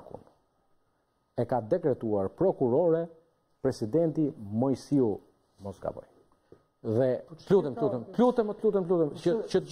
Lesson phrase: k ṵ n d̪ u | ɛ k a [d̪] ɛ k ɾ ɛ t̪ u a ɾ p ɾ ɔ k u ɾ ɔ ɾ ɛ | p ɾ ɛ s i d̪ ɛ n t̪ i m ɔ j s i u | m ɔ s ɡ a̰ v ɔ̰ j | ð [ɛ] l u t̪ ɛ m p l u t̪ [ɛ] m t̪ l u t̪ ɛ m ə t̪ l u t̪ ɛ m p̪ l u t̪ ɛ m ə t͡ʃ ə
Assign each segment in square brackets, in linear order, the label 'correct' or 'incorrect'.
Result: correct, correct, correct

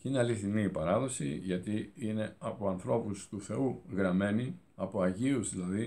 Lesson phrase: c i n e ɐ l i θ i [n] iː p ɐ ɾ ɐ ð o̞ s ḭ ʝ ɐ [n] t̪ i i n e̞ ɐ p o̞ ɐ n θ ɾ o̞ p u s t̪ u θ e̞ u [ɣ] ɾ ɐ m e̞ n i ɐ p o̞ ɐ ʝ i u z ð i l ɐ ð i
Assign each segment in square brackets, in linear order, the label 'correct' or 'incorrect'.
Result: correct, incorrect: none, correct

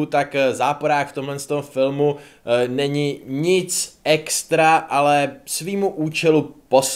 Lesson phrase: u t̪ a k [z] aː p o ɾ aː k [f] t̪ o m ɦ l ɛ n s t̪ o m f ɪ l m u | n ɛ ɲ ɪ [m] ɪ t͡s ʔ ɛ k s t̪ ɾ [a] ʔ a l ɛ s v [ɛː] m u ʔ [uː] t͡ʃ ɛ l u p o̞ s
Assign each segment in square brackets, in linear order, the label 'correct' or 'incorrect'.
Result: correct, correct, incorrect: ɲ, correct, incorrect: iː, correct

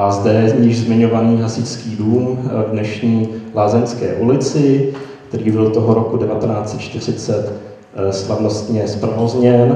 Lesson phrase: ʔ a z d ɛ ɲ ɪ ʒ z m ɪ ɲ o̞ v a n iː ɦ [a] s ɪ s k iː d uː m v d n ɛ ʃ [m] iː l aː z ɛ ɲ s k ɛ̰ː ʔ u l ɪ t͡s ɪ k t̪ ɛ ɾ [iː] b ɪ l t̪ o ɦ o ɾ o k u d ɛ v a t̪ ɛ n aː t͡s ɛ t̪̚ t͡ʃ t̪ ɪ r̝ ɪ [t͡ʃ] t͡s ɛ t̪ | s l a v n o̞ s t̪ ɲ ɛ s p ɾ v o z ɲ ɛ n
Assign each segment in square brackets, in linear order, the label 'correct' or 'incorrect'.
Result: correct, incorrect: ɲ, correct, incorrect: none

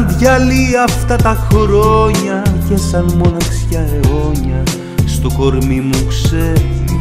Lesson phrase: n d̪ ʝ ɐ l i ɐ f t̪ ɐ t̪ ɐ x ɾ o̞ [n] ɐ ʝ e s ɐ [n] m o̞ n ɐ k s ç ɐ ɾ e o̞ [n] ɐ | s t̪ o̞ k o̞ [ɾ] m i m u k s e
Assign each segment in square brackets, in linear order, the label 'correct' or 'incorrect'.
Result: incorrect: ɲ, correct, incorrect: ɲ, correct

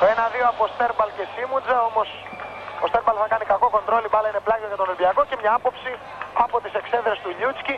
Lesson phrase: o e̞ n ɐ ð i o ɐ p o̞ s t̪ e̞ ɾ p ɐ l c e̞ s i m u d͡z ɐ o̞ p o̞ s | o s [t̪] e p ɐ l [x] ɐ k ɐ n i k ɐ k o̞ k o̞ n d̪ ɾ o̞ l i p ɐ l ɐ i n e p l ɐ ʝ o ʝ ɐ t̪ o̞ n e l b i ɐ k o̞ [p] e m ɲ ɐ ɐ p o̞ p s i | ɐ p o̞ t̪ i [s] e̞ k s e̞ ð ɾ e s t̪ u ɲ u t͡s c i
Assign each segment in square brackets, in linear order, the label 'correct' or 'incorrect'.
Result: correct, incorrect: θ, incorrect: c, correct

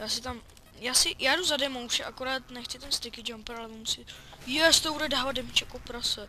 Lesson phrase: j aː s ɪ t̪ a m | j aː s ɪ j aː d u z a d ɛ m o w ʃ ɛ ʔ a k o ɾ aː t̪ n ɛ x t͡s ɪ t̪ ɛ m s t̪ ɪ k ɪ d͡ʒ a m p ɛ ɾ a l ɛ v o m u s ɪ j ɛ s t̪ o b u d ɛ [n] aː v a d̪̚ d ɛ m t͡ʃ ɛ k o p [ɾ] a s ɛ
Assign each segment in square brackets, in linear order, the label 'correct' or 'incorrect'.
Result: incorrect: d, correct

